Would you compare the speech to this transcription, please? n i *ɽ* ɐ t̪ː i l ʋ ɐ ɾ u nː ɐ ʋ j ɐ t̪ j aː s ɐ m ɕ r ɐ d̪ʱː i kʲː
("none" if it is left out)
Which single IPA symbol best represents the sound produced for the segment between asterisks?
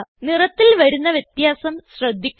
r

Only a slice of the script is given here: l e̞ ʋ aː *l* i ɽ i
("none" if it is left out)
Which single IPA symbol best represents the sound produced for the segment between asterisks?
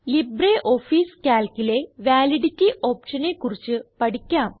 l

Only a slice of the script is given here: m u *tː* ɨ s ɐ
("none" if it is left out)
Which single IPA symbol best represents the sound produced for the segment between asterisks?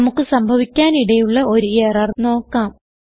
kː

